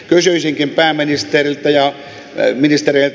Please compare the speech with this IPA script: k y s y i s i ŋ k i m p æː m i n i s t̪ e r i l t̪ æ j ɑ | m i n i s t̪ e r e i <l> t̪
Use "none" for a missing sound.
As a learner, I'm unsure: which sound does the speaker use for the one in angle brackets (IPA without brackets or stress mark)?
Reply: l